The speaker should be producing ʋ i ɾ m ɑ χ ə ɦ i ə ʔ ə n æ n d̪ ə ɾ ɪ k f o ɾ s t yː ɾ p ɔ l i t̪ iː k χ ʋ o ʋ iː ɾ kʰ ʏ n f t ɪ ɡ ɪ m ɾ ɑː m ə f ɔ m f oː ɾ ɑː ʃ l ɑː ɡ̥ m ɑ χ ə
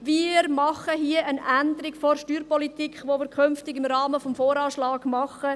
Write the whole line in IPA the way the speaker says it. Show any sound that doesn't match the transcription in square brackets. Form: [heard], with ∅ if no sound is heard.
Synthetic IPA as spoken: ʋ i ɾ m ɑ χ ə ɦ i ə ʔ ə n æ n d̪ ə ɾ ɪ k f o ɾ [ʃ] t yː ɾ p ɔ l i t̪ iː k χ ʋ o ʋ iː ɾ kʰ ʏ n f t ɪ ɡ ɪ m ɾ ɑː m ə f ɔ m f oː ɾ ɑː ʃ l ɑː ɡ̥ m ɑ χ ə